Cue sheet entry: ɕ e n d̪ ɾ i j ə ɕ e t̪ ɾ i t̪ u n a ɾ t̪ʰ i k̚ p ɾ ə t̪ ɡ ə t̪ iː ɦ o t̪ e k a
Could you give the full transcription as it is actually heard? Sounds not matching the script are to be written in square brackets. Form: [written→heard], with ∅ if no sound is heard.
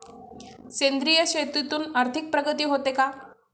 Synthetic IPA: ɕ e n d̪ ɾ i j ə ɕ e t̪ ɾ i t̪ [u→uː] n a ɾ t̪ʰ i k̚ p ɾ ə [t̪→∅] ɡ ə t̪ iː ɦ o t̪ e k a